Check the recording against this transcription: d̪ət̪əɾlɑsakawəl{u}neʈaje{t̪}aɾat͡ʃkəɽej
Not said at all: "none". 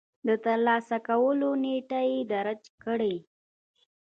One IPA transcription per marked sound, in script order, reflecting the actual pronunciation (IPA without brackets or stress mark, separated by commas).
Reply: o, d̪